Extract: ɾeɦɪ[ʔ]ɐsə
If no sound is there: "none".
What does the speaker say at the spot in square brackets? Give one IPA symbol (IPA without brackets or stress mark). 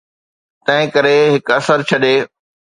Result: k